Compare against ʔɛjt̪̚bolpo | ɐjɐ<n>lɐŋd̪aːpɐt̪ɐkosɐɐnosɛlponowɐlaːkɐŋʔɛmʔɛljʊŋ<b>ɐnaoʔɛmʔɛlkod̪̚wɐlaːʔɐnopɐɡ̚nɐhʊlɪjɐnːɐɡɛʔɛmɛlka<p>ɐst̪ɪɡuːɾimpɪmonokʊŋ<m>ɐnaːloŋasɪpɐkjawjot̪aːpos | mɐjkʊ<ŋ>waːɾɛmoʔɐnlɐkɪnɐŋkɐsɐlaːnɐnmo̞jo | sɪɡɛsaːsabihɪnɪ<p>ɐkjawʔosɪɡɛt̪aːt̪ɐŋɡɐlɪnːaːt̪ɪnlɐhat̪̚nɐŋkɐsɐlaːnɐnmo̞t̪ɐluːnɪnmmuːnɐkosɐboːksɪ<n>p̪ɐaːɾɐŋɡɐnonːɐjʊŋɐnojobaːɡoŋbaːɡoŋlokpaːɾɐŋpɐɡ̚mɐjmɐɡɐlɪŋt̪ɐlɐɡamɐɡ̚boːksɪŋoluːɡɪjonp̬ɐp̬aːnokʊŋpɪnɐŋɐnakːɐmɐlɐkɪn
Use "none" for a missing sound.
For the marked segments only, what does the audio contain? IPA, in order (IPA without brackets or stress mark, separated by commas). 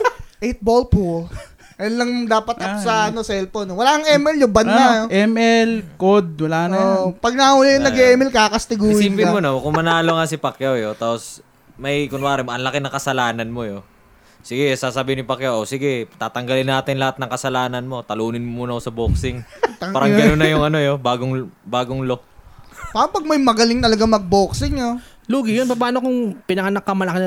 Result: n, b, k, m, n, p, ŋ